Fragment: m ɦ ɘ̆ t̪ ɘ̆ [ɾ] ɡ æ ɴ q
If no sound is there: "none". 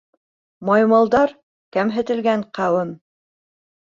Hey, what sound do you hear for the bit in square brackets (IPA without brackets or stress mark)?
l